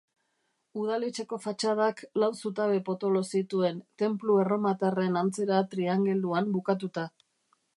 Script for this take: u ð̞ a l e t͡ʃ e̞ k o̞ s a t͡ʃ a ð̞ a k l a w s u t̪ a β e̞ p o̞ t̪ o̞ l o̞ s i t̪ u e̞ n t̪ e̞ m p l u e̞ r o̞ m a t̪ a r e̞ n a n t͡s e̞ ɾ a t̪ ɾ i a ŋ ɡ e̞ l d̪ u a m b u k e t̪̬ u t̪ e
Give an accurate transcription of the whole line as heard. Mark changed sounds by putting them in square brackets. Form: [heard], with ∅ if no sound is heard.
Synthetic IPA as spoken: u ð̞ a l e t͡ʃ e̞ k o̞ [f] a t͡ʃ a ð̞ a k l a w s u t̪ a β e̞ p o̞ t̪ o̞ l o̞ s i t̪ u e̞ n t̪ e̞ m p l u e̞ r o̞ m a t̪ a r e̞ n a n t͡s e̞ ɾ a t̪ ɾ i a ŋ ɡ e̞ l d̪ u a m b u k [a] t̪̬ u t̪ [a]